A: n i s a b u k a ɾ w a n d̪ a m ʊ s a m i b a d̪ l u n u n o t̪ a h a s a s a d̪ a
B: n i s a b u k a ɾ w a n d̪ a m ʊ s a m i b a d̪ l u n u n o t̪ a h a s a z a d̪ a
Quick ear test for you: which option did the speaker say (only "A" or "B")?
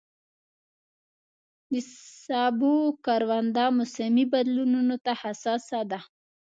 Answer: A